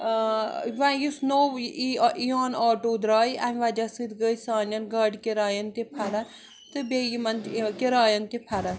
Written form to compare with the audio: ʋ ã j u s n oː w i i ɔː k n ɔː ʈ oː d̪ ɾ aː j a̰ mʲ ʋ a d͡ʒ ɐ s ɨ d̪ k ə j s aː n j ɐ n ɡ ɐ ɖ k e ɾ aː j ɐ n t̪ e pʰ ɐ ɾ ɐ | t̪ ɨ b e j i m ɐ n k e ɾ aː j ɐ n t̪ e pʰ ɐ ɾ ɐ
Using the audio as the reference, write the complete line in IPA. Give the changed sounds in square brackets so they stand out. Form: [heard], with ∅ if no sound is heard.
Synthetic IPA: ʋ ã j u s n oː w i i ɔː [∅] n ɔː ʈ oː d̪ ɾ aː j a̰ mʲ ʋ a d͡ʒ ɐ s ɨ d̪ [ɡ] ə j s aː n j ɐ n ɡ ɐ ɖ k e ɾ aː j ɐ n t̪ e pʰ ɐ ɾ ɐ | t̪ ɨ b e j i m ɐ n k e ɾ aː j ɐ n t̪ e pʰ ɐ ɾ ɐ